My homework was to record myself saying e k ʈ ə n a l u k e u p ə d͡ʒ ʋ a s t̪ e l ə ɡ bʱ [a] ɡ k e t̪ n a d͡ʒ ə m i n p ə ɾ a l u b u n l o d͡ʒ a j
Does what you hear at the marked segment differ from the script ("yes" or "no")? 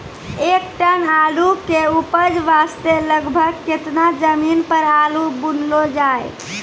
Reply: yes